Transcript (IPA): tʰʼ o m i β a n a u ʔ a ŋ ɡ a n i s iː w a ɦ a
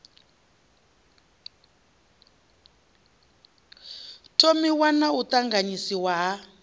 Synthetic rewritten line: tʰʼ o m i w a n a u t a ŋ ɡ a ɲ i s i w a ɦ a